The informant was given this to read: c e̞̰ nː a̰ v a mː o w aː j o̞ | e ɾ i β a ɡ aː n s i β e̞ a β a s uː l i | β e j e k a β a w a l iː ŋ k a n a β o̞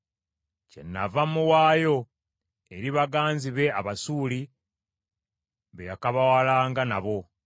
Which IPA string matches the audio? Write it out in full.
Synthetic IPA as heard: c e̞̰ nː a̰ v a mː u w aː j o̞ | e ɾ i β a ɡ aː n z i β e̞ a β a s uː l i | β e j a k a β a w a l aː ŋ ɡ a n a β o̞